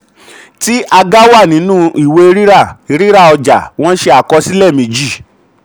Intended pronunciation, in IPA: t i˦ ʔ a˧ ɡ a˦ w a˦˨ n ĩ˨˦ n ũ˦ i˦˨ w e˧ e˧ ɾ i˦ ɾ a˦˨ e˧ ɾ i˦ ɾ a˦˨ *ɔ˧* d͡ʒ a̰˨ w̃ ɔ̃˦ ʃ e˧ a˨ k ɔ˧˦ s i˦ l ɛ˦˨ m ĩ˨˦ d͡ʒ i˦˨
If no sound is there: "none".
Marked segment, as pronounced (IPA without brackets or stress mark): ɔ˧